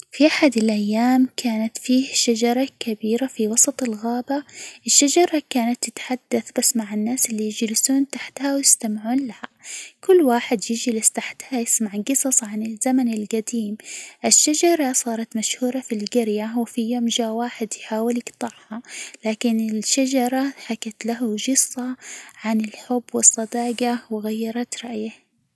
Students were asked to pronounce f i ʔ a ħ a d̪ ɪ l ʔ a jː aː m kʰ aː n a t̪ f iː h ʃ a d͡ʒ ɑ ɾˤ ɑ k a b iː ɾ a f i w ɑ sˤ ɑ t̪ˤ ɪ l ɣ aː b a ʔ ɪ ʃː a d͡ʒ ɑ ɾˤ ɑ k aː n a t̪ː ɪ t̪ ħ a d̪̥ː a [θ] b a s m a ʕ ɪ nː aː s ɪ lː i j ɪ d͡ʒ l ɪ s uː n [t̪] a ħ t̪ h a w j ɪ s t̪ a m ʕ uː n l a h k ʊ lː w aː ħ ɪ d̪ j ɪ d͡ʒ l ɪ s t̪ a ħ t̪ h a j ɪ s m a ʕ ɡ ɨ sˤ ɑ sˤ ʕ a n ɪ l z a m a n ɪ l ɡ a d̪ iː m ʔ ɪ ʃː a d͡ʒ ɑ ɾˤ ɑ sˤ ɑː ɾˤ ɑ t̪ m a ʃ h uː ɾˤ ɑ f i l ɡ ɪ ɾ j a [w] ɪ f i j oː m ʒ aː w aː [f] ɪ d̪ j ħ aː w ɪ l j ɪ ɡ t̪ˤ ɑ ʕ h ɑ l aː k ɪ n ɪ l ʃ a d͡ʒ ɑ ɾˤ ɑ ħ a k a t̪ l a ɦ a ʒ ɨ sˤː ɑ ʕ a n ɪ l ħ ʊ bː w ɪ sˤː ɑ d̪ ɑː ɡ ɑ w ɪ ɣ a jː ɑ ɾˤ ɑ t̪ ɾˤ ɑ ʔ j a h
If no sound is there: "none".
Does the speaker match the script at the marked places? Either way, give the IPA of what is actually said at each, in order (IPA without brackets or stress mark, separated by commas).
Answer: θ, t̪, w, ħ